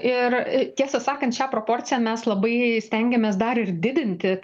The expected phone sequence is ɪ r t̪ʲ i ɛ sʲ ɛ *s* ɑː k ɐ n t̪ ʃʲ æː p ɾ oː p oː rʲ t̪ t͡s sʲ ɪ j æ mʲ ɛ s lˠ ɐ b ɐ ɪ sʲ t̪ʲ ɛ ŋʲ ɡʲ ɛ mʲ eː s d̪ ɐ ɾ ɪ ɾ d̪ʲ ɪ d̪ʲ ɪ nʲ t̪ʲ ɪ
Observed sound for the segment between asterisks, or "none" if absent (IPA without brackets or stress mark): s